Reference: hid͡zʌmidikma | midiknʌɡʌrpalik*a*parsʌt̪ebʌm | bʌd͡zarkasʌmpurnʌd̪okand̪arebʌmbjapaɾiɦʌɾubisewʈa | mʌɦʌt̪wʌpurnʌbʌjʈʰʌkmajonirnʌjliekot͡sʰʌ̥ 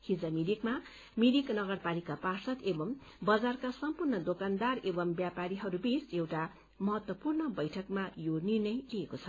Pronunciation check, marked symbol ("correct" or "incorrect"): correct